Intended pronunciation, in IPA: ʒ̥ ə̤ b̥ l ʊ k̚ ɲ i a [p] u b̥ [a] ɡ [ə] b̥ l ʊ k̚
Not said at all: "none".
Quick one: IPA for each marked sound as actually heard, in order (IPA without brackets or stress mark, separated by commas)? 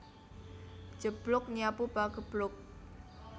p, a, ə